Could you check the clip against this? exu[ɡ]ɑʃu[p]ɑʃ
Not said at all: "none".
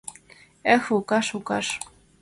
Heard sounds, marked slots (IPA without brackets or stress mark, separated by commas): k, k